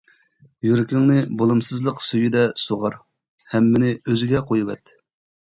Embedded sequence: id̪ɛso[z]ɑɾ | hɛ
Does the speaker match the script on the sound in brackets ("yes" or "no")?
no